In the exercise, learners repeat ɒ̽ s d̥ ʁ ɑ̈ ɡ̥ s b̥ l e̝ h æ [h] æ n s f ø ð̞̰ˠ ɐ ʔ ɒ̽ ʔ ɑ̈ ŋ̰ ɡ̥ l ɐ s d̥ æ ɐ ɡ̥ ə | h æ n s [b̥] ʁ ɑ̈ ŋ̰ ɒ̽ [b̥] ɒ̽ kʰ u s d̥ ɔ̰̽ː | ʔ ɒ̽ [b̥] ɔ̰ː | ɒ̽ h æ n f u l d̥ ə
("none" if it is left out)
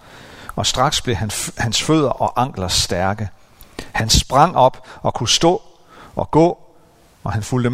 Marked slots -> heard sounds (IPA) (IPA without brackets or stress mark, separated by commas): h, b̥, b̥, ɡ̥